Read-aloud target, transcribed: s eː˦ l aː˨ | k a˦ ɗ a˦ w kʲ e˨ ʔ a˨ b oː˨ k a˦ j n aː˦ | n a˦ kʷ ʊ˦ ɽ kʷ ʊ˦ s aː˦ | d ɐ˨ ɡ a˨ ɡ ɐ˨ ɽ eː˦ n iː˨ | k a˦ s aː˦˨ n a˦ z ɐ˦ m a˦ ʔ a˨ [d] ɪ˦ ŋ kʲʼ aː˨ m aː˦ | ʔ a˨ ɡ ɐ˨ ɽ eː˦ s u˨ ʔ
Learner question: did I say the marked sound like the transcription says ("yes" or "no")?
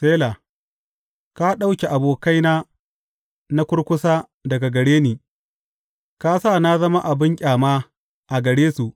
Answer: no